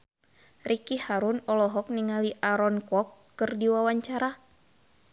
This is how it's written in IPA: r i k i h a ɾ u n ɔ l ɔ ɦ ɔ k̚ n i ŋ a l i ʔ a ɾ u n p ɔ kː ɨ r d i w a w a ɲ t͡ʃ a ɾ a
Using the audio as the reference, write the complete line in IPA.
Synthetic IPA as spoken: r i k i h a ɾ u n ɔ l ɔ ɦ ɔ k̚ n i ŋ a l i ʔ a ɾ ɔ n k ɔ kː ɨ r d i w a w a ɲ t͡ʃ a ɾ a